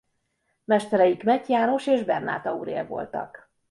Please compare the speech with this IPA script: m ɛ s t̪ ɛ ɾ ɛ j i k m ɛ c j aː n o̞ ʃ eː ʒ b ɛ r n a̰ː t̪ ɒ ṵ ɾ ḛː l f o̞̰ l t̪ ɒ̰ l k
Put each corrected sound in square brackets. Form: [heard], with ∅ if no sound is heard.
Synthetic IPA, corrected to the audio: m ɛ [ʃ] t̪ ɛ ɾ ɛ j i k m ɛ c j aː n o̞ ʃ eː ʒ b ɛ r n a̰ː t̪ ɒ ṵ ɾ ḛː l [v] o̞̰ l t̪ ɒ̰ [∅] k